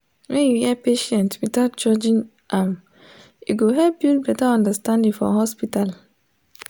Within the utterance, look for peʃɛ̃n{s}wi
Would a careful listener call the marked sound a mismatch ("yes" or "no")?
yes